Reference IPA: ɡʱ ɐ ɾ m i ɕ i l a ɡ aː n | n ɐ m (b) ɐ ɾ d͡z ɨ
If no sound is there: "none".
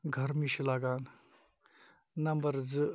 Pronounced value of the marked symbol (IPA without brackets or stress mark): b